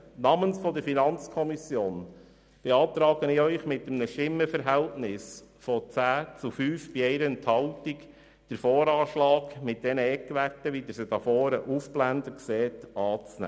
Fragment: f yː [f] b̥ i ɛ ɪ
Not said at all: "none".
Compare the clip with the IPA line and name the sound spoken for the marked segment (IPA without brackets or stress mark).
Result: f